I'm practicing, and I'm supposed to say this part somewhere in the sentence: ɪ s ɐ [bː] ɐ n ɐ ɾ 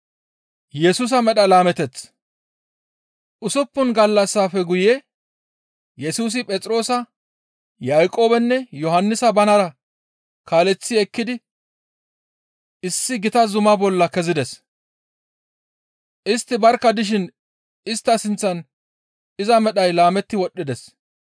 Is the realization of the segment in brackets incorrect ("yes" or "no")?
yes